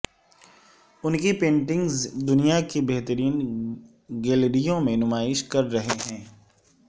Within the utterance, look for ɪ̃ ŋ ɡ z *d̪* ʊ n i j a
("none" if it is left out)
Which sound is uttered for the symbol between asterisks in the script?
d̪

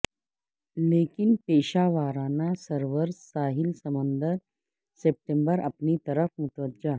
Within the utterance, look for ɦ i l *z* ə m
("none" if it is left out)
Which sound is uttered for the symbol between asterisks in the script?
s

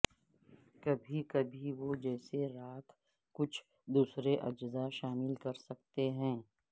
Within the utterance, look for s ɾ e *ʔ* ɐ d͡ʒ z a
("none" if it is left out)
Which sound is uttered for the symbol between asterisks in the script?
ʔ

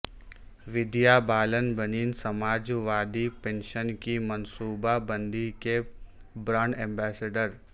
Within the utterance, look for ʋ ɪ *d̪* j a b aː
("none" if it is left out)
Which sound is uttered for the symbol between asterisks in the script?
d̪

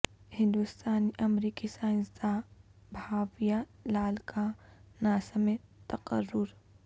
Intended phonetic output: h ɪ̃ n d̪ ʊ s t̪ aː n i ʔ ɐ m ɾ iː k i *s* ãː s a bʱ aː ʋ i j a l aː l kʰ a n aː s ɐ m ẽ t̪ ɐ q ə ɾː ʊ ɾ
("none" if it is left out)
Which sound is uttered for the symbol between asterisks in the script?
s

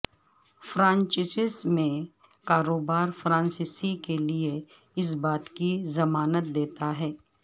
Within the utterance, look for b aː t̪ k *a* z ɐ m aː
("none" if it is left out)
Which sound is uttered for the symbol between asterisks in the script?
i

